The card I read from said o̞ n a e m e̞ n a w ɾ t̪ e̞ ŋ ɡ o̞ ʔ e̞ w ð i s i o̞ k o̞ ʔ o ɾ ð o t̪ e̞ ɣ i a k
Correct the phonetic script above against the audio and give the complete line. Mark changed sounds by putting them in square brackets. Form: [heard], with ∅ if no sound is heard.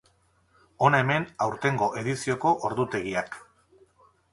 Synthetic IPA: o̞ n a e m e̞ n a w ɾ t̪ e̞ ŋ ɡ o̞ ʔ e̞ [∅] ð i s i o̞ k o̞ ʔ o ɾ ð [u] t̪ e̞ ɣ i a k